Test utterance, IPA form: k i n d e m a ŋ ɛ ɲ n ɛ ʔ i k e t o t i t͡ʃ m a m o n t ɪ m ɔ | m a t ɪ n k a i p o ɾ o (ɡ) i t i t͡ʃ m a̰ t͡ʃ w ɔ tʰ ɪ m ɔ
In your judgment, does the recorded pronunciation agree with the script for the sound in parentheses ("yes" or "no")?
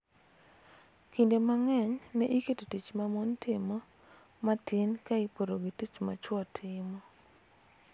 yes